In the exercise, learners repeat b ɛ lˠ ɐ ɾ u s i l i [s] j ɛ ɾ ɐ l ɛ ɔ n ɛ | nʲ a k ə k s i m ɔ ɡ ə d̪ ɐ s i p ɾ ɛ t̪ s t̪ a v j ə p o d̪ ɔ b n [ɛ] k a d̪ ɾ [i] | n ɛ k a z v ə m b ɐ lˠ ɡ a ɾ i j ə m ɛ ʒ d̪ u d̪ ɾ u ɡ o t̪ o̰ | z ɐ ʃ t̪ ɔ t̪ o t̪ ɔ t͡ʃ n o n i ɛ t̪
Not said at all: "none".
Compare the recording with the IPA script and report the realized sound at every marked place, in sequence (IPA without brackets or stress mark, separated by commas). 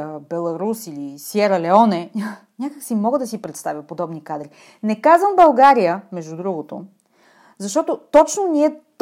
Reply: s, i, i